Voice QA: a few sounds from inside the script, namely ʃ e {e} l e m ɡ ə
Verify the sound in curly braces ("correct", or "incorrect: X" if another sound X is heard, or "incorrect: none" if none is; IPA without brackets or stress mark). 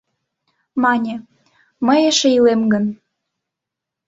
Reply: incorrect: i